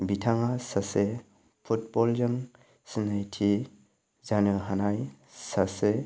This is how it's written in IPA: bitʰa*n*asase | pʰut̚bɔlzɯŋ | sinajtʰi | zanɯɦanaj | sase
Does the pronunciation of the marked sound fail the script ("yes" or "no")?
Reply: yes